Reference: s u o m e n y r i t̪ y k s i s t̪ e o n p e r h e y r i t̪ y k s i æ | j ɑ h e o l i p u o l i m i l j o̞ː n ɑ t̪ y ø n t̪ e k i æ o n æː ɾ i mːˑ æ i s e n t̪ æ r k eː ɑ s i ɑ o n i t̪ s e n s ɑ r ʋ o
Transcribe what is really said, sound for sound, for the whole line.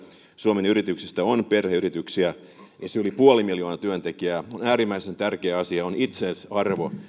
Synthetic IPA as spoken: s u o m e n y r i t̪ y k s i s t̪ æ o n p e r h e y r i t̪ y k s i æ | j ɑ s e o l i p u o l i m i l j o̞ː n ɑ t̪ y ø n t̪ e k i æ o n æː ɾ i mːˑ æ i s e n t̪ æ r k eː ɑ s i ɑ o n i t̪ s e n s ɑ r ʋ o